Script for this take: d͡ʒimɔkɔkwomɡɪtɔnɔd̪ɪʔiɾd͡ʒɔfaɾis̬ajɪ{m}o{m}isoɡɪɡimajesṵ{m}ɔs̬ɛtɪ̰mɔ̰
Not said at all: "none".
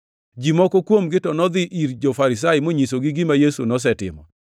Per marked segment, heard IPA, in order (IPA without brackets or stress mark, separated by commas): m, ɲ, n